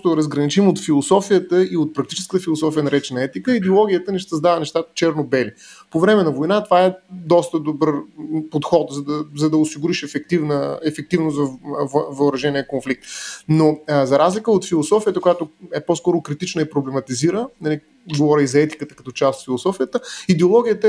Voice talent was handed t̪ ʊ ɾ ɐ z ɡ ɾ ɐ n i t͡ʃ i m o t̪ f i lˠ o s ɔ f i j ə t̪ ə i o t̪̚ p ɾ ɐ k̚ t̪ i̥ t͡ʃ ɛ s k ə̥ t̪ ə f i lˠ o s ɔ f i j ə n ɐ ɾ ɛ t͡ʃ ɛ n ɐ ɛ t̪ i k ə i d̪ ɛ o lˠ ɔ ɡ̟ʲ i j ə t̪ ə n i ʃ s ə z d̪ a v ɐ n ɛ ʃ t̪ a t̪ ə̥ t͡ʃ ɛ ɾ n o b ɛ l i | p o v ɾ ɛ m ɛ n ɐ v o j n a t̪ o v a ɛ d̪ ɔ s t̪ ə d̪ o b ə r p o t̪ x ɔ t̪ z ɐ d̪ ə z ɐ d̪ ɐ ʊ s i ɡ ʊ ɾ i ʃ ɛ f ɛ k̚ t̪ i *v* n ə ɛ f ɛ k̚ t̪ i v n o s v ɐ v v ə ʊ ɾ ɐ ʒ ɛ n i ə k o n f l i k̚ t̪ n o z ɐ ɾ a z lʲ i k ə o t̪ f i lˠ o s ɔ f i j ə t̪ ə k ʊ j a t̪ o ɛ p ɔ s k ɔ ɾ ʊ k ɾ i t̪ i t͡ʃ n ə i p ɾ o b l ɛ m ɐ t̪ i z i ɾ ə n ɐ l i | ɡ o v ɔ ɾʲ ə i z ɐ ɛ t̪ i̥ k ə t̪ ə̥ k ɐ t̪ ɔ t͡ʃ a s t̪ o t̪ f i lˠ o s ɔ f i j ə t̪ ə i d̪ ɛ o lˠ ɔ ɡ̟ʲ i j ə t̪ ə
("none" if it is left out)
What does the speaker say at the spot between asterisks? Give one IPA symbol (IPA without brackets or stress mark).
v